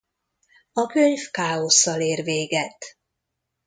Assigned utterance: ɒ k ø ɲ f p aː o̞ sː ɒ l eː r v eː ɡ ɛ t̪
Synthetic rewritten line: ɒ k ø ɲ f k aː o̞ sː ɒ l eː r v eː ɡ ɛ t̪